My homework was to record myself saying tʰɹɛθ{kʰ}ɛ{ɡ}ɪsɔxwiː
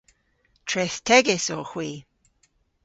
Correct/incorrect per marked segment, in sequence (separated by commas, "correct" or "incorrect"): incorrect, correct